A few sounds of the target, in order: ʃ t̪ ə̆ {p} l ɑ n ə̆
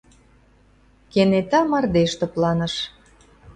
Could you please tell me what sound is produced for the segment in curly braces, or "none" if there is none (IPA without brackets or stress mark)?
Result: p